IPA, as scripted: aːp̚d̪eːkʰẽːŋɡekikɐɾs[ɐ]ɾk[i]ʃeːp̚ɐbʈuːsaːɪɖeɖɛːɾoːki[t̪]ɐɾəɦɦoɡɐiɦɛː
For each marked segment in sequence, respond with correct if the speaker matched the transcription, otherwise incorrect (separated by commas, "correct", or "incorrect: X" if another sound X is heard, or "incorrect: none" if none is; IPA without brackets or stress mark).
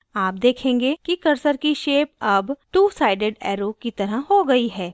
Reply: incorrect: ə, correct, correct